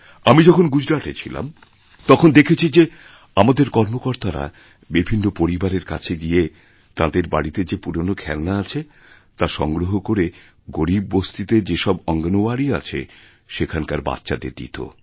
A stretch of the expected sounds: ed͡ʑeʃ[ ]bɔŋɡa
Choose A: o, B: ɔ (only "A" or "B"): B